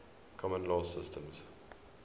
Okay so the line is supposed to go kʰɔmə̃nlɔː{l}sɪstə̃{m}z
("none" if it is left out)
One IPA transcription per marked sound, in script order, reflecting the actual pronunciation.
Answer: none, m

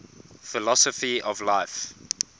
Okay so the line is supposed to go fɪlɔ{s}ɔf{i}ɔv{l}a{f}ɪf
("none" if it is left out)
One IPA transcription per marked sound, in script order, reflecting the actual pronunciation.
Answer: s, i, l, none

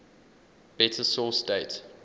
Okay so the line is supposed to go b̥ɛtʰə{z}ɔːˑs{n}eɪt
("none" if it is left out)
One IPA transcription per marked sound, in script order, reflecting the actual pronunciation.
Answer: s, d

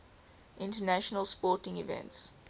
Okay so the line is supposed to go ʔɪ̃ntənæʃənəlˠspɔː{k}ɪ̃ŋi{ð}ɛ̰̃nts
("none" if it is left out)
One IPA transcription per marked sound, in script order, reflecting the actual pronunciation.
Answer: t, v

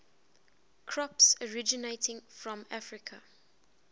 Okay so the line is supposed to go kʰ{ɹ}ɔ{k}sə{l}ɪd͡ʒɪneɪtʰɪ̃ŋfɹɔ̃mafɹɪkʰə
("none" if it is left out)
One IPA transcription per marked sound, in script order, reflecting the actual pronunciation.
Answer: ɹ, p, ɹ

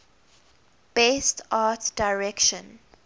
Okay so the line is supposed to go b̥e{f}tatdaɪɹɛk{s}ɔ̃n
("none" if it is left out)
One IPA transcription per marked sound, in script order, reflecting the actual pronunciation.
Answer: s, ʃ

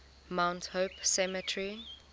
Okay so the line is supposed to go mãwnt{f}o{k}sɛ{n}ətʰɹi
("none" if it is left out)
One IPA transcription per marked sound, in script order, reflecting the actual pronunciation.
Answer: h, p, m

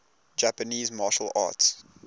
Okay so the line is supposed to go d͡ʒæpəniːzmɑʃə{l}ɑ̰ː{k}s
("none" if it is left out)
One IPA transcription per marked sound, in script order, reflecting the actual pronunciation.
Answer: l, t

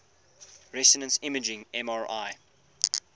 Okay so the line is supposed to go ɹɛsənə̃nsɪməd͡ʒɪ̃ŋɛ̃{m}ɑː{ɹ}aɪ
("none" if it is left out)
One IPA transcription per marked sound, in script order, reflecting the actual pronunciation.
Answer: m, ɹ

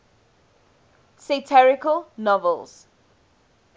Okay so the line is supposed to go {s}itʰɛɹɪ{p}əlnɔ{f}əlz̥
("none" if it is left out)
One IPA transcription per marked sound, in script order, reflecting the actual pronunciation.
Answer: s, k, v

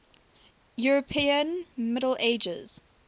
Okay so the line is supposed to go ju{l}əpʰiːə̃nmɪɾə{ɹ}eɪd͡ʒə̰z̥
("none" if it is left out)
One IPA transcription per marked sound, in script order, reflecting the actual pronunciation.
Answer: ɹ, l

